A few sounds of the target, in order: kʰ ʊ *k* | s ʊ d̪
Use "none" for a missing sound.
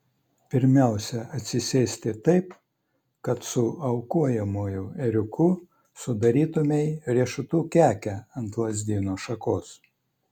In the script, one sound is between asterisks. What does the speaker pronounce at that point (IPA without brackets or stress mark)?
none